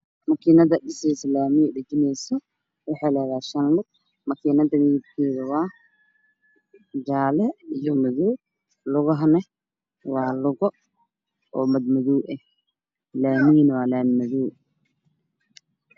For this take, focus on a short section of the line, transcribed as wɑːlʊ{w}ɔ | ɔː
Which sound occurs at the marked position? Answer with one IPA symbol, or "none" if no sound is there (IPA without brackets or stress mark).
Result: ɣ